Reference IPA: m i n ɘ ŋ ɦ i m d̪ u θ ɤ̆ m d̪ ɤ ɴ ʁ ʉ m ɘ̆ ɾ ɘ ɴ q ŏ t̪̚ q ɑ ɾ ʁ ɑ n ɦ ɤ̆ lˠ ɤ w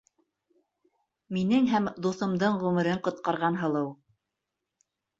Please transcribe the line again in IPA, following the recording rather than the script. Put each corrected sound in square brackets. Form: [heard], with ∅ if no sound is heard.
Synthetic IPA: m i n ɘ ŋ ɦ [æ] m d̪ u θ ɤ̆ m d̪ ɤ ɴ ʁ ʉ m ɘ̆ ɾ ɘ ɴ q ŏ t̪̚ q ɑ ɾ ʁ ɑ n ɦ ɤ̆ lˠ ɤ w